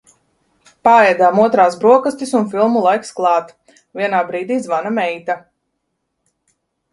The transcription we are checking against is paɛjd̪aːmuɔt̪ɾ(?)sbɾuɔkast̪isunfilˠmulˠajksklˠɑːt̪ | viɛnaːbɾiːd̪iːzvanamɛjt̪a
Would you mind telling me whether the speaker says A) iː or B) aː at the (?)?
B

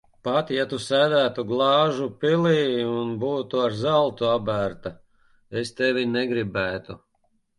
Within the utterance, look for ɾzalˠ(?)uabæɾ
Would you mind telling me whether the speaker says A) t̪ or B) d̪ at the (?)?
A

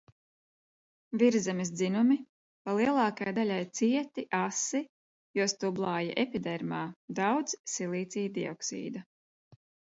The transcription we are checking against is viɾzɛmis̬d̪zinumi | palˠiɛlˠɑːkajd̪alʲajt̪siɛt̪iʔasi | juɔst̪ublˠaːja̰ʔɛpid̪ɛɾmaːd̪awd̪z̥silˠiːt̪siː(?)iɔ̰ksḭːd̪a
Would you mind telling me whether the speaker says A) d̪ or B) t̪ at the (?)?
A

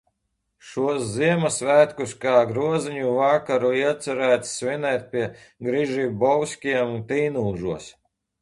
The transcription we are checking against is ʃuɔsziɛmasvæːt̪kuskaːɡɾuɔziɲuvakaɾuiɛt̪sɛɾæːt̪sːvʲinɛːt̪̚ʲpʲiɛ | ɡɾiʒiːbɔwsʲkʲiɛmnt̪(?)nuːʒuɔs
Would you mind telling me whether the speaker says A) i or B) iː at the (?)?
B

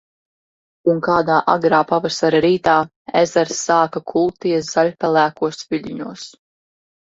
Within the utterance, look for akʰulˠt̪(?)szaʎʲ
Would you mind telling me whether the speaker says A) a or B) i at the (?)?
B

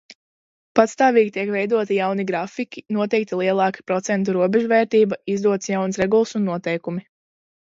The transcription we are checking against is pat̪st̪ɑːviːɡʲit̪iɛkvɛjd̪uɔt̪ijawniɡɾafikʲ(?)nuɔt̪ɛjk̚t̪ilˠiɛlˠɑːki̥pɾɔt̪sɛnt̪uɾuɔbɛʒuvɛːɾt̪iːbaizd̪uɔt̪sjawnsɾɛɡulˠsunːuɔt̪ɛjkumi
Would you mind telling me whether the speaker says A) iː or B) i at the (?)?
B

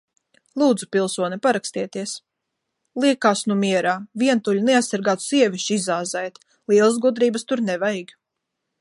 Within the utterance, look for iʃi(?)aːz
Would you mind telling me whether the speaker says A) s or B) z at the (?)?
B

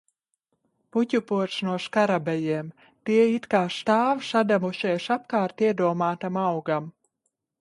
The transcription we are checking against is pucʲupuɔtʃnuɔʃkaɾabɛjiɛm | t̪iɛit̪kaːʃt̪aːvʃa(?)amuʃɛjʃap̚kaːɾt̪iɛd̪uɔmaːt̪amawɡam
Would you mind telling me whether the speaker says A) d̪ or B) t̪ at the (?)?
A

